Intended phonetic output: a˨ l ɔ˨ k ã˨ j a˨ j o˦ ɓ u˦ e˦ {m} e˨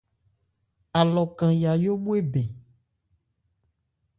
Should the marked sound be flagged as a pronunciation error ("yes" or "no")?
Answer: yes